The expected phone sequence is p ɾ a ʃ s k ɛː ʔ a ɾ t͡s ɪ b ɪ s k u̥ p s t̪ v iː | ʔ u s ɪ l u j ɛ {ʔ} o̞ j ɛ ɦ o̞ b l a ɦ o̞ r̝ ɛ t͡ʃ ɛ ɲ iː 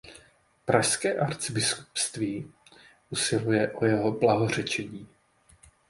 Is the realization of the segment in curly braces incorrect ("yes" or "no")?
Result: no